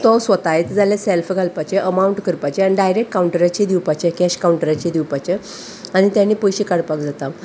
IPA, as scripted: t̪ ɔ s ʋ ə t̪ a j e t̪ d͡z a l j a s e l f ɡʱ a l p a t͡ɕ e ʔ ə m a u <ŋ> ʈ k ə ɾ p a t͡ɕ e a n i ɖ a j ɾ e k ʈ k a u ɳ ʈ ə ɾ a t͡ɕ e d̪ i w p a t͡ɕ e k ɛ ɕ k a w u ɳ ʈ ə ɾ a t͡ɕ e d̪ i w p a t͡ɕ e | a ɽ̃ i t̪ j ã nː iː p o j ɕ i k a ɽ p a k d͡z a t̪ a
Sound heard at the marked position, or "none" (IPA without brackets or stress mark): ɳ